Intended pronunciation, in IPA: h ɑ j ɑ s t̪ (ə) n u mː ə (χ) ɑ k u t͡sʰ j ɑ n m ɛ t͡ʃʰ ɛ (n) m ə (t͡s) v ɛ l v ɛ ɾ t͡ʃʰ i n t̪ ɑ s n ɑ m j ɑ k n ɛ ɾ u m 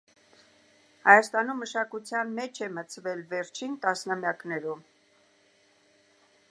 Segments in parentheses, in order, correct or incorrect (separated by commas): incorrect, incorrect, incorrect, incorrect